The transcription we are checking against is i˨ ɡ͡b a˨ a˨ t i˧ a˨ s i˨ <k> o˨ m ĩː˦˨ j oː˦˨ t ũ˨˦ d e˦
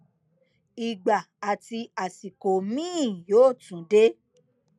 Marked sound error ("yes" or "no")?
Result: no